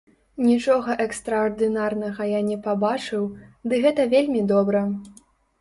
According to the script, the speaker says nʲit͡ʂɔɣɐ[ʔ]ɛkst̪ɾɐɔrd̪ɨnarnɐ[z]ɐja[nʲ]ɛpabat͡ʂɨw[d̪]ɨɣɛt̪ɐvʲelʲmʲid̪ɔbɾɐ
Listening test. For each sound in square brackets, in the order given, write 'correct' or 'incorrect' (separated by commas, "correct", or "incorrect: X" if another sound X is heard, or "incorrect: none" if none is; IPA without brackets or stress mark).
correct, incorrect: ɣ, correct, correct